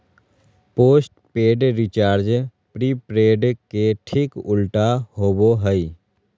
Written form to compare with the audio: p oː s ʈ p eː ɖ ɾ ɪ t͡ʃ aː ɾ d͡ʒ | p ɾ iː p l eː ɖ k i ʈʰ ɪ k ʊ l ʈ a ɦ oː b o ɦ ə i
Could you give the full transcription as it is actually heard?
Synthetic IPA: p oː s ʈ p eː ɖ ɾ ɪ t͡ʃ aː ɾ d͡ʒ | p ɾ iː p ɾ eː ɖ k e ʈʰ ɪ k ʊ l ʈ a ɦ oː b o ɦ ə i